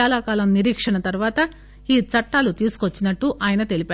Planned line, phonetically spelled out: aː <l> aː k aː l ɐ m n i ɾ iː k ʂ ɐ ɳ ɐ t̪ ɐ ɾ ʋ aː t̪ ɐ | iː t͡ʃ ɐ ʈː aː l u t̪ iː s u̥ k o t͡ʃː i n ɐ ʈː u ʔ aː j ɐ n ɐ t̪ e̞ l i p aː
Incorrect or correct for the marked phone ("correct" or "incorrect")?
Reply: correct